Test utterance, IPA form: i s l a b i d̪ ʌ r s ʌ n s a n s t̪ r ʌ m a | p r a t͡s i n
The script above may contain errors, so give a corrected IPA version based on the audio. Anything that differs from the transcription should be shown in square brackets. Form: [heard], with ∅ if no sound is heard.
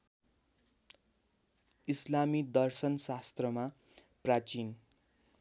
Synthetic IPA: i s l a [m] i d̪ ʌ r s ʌ n s a [∅] s t̪ r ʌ m a | p r a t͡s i n

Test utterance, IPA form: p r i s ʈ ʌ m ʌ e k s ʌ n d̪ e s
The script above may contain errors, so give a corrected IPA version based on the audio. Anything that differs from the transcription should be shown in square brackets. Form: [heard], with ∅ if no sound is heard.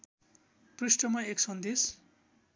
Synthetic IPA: p r i s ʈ ʌ m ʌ e k s ʌ n d̪ e s

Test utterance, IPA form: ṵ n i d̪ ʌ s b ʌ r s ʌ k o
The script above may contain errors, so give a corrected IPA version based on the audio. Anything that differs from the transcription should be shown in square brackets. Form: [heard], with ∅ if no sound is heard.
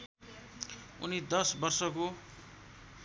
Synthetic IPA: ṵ n i d̪ ʌ s b ʌ r s ʌ k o

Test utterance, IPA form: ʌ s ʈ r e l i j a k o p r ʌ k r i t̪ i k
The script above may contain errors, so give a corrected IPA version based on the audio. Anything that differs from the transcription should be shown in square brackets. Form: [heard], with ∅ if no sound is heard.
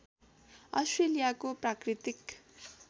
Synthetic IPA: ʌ s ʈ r e l i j a k o p r [a] k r i t̪ i k

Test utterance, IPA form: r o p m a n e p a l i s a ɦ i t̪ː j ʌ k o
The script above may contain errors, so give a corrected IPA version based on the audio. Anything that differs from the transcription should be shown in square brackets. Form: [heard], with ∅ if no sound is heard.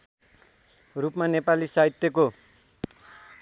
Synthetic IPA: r [u] p m a n e p a l i s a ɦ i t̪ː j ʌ k o

